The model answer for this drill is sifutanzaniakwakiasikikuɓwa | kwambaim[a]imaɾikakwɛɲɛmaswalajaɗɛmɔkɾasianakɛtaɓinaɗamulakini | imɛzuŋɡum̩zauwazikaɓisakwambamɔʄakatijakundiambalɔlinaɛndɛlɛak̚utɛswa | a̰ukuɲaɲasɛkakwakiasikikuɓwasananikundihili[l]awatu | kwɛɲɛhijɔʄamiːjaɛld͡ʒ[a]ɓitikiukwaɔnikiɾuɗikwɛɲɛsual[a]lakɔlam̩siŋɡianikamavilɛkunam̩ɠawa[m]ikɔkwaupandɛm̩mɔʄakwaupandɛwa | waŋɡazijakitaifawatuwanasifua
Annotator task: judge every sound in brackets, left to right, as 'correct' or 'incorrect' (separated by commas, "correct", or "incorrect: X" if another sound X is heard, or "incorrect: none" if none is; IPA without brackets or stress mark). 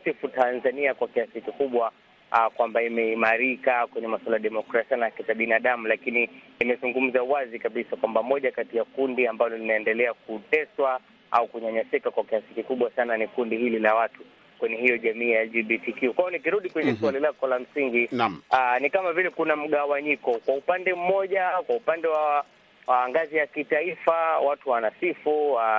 incorrect: ɛ, correct, incorrect: i, incorrect: i, incorrect: ɲ